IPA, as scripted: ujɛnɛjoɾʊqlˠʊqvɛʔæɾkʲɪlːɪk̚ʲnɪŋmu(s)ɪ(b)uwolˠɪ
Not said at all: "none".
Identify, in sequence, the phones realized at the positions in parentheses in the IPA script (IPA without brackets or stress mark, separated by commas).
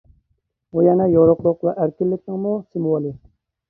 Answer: s, m